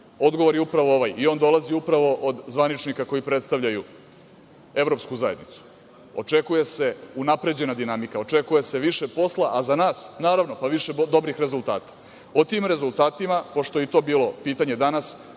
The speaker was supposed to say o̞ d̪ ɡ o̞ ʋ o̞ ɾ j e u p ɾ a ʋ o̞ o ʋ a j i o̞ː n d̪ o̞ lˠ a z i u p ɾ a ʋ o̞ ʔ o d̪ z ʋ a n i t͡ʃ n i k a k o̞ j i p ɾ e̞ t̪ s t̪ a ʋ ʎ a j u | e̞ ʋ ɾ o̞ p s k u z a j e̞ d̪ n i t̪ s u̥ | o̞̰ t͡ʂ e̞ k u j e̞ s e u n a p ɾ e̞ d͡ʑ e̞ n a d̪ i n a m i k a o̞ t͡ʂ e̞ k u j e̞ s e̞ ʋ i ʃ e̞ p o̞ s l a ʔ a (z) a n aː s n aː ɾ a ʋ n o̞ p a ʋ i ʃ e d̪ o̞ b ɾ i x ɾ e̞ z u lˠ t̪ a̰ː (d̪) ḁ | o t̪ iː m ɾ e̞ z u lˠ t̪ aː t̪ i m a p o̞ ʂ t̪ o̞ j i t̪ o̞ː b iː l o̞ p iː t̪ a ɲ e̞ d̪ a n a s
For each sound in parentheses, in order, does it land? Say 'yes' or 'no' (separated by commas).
yes, no